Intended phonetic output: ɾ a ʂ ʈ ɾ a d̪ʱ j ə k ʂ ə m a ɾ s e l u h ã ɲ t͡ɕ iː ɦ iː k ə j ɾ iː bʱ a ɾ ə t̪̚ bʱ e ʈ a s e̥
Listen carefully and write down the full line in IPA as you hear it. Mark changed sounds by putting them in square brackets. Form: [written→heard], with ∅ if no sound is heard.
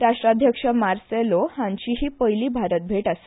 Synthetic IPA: ɾ a ʂ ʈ ɾ a d̪ʱ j ə k ʂ ə m a ɾ s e l [u→o] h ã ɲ t͡ɕ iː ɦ iː [k→p] ə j [ɾ→l] iː bʱ a ɾ ə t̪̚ bʱ e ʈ a s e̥